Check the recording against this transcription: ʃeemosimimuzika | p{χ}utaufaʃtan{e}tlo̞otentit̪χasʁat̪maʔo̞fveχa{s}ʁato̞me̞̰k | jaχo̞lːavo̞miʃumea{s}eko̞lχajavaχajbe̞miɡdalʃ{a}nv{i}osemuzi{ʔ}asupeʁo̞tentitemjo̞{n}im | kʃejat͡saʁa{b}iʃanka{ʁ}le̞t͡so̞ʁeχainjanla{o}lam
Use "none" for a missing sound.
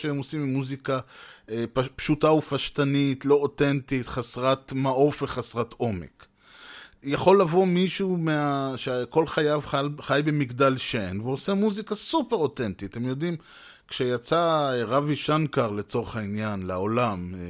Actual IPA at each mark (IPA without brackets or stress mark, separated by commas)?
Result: ʃ, i, s, ʃ, e, e, k, d, v, ʁ, o